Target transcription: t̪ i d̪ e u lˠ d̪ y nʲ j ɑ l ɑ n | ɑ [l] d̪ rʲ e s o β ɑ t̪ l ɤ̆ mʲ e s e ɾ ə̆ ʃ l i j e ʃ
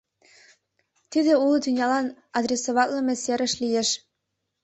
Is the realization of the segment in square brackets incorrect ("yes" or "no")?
yes